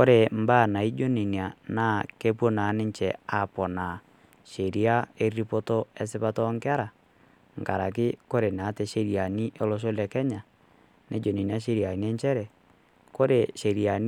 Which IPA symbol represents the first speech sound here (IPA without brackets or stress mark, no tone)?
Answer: k